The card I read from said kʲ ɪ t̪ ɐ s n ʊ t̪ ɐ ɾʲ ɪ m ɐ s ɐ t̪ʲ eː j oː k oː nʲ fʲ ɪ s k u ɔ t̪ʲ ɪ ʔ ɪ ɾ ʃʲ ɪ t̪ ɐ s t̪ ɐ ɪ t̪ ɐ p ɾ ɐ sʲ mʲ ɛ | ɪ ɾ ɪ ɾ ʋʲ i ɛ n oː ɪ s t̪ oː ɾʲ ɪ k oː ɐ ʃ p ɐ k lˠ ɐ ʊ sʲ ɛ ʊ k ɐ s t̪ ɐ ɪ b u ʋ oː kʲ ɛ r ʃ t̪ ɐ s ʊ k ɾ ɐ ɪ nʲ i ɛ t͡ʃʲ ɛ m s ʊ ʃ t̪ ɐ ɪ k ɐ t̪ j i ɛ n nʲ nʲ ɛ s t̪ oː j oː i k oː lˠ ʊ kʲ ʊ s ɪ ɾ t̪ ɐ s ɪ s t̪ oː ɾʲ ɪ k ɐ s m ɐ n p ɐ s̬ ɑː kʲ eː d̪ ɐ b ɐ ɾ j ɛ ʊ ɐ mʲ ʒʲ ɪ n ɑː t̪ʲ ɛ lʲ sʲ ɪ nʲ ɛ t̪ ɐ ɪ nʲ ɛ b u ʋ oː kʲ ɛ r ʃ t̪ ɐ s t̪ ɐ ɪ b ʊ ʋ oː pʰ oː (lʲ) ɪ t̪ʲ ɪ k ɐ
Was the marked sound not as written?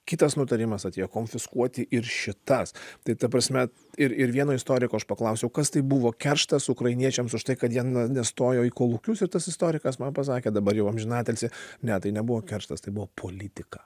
no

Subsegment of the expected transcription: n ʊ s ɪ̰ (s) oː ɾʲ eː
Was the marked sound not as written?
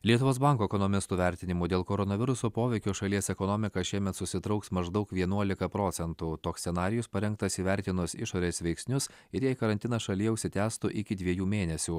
yes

